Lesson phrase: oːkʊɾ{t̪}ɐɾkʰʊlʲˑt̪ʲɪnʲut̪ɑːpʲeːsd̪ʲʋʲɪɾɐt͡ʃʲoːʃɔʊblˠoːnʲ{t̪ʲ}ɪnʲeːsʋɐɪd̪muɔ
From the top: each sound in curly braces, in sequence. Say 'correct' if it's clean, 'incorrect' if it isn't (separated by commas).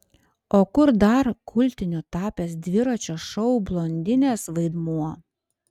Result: incorrect, incorrect